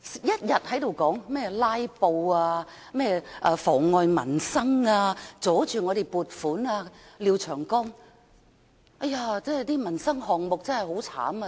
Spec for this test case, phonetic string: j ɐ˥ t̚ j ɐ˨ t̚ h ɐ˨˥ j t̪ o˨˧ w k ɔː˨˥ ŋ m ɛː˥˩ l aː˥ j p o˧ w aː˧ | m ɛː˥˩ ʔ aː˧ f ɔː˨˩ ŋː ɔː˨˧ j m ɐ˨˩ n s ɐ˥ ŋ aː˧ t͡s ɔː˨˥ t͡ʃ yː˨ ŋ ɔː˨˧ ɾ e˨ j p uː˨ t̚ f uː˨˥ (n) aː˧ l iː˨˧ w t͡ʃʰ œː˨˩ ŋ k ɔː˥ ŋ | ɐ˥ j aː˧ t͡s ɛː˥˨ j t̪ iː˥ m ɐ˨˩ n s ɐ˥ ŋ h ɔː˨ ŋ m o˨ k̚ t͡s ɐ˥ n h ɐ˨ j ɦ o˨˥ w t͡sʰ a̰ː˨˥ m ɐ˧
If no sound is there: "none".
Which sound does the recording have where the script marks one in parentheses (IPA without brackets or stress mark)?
n